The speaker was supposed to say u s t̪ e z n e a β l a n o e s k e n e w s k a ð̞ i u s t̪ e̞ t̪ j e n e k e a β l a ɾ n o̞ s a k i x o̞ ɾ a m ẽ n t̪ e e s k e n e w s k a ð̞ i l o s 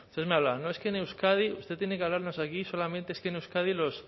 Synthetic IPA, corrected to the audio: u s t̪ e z m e a β l a n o e s k e n e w s k a ð̞ i u s t̪ e̞ t̪ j e n e k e a β l a ɾ n o̞ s a k i s o̞ l a m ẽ n t̪ e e s k e n e w s k a ð̞ i l o s